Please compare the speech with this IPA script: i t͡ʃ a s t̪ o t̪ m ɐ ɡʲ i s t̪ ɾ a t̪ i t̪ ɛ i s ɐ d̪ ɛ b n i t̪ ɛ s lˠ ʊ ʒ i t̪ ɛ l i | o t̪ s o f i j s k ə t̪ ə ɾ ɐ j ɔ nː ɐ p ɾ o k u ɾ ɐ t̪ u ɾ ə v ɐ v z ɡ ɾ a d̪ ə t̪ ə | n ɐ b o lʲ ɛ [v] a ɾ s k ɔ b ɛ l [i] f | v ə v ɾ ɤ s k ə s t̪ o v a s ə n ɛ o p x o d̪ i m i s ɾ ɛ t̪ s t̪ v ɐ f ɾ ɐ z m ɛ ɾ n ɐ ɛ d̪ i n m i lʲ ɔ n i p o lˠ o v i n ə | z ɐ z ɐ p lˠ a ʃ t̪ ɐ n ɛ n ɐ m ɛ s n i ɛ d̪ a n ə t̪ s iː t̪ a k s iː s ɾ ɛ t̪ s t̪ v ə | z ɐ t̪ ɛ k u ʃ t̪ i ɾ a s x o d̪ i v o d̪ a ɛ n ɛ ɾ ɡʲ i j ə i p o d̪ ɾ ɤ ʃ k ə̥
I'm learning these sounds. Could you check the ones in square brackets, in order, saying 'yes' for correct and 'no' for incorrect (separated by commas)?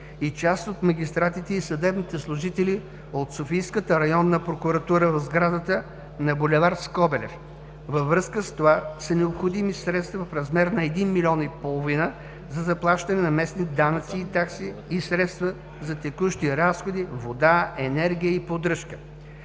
yes, no